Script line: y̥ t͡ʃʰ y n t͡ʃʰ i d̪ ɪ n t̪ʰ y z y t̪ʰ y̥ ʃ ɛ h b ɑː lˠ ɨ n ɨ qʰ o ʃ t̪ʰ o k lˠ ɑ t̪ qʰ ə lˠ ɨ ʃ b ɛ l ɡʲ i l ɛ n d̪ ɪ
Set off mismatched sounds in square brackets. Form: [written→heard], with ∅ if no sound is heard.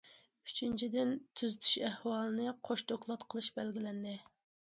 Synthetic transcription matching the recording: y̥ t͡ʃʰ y n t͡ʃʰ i d̪ ɪ n t̪ʰ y z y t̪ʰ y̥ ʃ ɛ h [b→w] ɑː lˠ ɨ n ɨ qʰ o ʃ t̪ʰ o k lˠ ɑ t̪ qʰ ə lˠ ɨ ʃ b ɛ l ɡʲ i l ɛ n d̪ ɪ

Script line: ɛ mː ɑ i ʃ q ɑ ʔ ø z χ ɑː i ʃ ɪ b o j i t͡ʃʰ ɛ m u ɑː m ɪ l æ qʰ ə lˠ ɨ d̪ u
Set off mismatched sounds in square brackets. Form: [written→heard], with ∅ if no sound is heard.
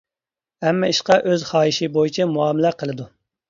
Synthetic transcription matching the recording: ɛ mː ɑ i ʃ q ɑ ʔ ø z χ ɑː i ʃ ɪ b o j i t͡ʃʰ ɛ m u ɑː m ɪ l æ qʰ ə lˠ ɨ d̪ u

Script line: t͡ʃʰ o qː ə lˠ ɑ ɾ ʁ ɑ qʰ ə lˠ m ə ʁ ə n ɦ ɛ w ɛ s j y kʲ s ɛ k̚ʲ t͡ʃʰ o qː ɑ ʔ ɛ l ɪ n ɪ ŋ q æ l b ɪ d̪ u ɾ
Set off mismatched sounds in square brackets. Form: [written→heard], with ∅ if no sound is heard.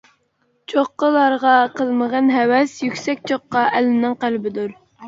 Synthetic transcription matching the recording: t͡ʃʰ o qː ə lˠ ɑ ɾ ʁ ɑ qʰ ə lˠ m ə ʁ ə n ɦ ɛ w ɛ s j y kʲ s ɛ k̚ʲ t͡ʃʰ o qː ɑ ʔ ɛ l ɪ n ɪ ŋ q æ l b ɪ d̪ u ɾ

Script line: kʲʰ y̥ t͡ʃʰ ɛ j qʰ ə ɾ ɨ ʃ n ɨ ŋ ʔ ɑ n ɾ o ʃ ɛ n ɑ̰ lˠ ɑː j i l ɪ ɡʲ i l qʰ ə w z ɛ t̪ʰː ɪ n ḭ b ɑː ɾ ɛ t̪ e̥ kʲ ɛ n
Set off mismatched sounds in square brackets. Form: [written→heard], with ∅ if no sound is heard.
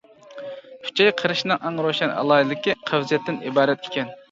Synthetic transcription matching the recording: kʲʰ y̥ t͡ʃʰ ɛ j qʰ ə ɾ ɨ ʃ n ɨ ŋ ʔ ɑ [n→ŋ] ɾ o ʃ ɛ n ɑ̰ lˠ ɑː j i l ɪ [ɡʲ→kʲ] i [l→∅] qʰ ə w z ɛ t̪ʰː ɪ n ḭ b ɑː ɾ ɛ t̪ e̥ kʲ ɛ n

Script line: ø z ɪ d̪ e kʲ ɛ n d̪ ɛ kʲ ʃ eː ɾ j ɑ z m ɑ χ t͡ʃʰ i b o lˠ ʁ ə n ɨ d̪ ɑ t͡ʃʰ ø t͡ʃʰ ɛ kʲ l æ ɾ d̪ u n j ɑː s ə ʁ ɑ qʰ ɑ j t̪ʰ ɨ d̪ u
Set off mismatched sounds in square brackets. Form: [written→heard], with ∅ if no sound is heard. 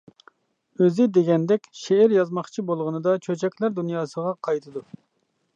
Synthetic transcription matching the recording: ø z ɪ d̪ e [kʲ→ɡʲ] ɛ n d̪ ɛ kʲ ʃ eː ɾ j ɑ z m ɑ χ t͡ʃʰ i b o lˠ ʁ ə n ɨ d̪ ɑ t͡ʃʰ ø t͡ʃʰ ɛ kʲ l æ ɾ d̪ u n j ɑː s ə ʁ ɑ qʰ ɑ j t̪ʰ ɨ d̪ u

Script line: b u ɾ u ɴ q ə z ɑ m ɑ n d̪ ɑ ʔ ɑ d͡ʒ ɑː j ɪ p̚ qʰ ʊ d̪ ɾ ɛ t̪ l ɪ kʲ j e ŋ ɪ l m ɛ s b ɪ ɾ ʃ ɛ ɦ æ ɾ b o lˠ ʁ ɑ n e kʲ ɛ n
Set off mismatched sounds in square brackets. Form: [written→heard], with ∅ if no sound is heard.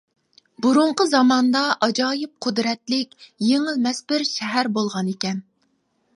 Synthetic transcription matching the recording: b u ɾ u ɴ q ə z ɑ m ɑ n d̪ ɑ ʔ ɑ d͡ʒ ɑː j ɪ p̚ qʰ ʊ d̪ ɾ ɛ t̪ l ɪ kʲ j e ŋ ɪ l m ɛ s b ɪ ɾ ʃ ɛ ɦ æ ɾ b o lˠ ʁ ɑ n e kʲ ɛ n

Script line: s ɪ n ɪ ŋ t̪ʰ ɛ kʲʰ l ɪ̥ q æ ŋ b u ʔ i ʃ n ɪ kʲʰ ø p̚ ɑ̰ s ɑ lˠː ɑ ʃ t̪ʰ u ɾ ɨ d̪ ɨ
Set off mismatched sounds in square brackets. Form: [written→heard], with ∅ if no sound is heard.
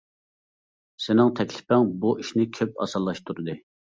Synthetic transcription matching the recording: s ɪ n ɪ ŋ t̪ʰ ɛ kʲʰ l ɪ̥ [q→p] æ ŋ b u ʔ i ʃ n ɪ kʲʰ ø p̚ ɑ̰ s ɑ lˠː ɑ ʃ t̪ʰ u ɾ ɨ d̪ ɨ

